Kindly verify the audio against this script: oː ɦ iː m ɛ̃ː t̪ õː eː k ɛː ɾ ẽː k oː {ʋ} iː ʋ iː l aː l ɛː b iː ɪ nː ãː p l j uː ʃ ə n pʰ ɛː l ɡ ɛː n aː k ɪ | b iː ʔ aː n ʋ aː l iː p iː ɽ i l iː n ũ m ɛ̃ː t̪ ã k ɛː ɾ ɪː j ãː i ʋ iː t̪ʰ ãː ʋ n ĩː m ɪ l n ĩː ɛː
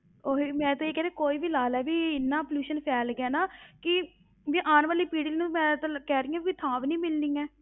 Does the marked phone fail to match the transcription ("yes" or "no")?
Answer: yes